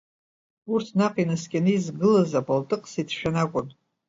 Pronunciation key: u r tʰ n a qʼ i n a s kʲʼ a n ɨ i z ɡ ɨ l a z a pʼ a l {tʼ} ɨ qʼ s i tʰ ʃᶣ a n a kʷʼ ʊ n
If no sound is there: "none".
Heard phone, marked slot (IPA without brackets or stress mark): tʼ